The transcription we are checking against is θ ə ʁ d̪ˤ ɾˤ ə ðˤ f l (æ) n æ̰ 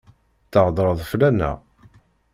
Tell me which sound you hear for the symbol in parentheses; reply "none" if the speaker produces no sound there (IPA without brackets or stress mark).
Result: æ